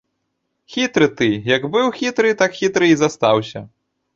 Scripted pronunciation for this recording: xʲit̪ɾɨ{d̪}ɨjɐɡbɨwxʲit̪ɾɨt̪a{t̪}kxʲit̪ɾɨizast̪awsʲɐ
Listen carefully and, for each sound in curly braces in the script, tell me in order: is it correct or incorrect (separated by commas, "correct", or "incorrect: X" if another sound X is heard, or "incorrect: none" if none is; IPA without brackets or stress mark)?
incorrect: t̪, incorrect: none